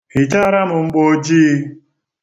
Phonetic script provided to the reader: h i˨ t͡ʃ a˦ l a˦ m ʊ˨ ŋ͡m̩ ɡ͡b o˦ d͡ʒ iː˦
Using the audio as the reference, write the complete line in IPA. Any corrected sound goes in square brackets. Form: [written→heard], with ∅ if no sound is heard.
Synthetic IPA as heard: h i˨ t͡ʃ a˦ [l→ɾ] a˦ m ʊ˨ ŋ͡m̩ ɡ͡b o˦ d͡ʒ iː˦